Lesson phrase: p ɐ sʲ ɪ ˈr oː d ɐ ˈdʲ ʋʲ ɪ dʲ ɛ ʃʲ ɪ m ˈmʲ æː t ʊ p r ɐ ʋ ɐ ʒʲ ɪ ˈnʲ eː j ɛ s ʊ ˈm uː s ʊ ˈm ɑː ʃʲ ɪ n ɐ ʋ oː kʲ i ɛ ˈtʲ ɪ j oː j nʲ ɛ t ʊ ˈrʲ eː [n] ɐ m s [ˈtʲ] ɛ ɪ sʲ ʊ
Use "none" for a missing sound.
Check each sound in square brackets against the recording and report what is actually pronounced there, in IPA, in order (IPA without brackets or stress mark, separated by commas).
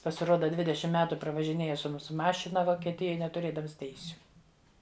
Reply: d, tʲ